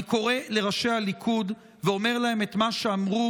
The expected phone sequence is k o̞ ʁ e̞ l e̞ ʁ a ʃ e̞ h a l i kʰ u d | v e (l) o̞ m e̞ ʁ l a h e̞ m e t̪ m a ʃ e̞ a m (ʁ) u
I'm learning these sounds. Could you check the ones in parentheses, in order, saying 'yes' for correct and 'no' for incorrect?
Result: no, yes

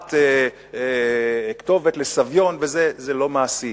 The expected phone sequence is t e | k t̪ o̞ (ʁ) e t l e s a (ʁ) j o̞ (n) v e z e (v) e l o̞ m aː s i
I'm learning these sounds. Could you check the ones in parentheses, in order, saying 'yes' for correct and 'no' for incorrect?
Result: no, no, yes, no

